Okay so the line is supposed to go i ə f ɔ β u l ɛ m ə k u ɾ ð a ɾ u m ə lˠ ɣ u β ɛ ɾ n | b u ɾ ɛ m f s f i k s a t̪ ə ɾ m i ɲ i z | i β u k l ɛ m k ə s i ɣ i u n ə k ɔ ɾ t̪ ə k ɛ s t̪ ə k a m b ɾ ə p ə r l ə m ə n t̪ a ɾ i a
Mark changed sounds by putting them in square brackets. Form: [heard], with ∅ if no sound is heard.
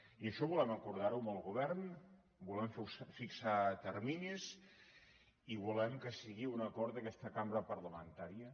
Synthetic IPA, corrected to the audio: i ə [ʃ] ɔ β u l ɛ m ə k u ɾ ð a ɾ u m ə lˠ ɣ u β ɛ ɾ n | b u [l] ɛ m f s f i k s a t̪ ə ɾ m i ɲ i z | i β u [∅] l ɛ m k ə s i ɣ i u n ə k ɔ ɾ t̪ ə k ɛ s t̪ ə k a m b ɾ ə p ə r l ə m ə n t̪ a ɾ i [ə]